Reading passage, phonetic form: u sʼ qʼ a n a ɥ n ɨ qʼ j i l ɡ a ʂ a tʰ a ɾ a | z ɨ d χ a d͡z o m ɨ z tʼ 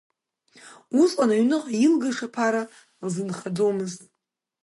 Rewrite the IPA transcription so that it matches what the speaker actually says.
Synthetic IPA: u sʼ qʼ a n a ɥ n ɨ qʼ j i l ɡ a ʂ a pʰ a ɾ a | z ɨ n χ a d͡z o m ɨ z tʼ